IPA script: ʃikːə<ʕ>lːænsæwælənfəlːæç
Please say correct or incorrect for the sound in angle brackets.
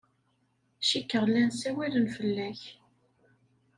incorrect